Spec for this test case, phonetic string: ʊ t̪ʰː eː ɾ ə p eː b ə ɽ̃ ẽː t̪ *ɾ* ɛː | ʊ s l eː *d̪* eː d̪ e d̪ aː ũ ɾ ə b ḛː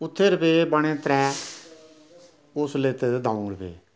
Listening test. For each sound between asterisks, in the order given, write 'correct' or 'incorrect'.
correct, incorrect: t̪

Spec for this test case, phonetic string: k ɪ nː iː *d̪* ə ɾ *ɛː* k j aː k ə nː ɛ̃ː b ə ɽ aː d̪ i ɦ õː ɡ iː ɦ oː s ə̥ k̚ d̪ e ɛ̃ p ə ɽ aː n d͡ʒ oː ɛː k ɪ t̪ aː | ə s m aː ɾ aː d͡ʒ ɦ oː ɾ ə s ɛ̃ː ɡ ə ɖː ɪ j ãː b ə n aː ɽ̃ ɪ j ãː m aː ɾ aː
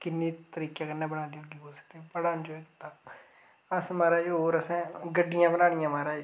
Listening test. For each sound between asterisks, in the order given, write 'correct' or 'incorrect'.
incorrect: t̪, incorrect: iː

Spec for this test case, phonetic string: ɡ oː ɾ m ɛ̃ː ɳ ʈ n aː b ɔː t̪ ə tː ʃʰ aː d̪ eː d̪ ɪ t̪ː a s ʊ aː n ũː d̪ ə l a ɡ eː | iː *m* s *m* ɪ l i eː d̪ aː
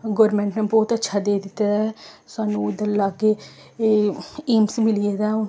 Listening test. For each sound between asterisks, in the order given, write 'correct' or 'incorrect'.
correct, correct

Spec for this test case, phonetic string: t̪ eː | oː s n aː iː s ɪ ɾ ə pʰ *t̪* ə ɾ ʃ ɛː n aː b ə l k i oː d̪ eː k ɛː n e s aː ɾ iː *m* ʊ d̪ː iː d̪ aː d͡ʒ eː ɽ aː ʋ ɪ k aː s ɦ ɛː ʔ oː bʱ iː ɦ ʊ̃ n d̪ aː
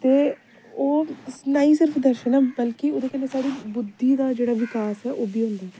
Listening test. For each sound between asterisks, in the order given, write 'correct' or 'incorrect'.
incorrect: d̪, incorrect: b

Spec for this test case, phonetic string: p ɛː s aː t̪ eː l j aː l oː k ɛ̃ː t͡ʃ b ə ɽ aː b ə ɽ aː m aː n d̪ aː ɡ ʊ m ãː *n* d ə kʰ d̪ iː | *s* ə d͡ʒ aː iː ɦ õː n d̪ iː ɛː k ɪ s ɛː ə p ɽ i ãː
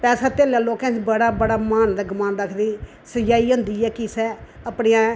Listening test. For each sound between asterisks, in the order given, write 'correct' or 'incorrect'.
correct, correct

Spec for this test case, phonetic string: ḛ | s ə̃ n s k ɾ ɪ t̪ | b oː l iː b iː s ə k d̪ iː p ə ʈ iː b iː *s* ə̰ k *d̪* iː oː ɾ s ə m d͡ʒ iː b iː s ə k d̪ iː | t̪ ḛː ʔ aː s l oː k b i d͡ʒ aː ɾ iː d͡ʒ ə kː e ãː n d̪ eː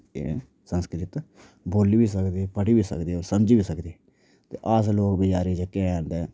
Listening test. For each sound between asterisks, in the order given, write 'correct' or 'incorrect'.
correct, correct

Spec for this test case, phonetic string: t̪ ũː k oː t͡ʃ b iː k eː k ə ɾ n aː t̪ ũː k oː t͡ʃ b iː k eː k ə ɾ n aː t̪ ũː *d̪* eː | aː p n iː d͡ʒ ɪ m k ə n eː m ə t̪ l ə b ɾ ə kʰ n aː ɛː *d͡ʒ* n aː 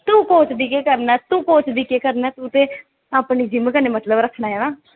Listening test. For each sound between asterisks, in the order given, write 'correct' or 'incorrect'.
incorrect: t̪, incorrect: none

